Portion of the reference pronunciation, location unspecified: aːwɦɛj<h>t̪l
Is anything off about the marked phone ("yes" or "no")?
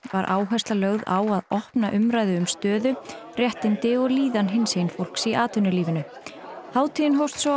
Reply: yes